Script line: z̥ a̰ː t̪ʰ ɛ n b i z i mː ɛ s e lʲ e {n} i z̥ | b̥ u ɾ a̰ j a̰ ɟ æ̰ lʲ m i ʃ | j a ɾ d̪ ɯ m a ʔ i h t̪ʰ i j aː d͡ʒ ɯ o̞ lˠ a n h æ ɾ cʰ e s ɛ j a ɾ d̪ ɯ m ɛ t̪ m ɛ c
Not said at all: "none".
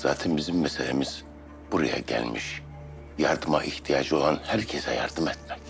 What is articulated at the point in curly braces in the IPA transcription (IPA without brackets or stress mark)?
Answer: m